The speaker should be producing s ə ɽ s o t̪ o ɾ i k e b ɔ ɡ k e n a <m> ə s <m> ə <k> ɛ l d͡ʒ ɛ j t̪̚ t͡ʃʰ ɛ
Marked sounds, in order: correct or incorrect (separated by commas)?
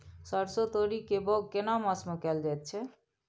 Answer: correct, correct, correct